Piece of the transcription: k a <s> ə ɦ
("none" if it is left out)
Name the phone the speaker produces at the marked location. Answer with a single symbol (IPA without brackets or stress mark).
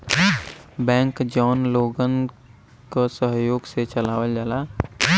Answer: s